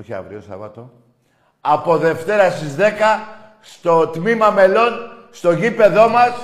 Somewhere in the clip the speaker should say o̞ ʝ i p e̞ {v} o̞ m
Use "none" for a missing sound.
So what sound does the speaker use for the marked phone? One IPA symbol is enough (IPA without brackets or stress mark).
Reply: ð